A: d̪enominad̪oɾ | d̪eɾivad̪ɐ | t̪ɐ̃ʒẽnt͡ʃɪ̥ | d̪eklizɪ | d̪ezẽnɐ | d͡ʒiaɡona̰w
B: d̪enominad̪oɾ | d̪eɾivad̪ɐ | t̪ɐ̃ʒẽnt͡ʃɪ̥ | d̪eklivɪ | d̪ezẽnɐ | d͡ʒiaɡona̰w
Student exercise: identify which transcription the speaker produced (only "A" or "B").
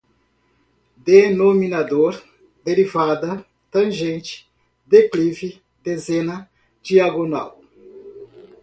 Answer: B